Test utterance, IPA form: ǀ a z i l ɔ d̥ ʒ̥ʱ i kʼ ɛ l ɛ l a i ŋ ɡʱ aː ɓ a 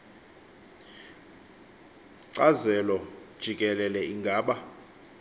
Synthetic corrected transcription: ǀ a z ɛ l ɔ d̥ ʒ̥ʱ i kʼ ɛ l ɛ l ɛ i ŋ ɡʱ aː ɓ a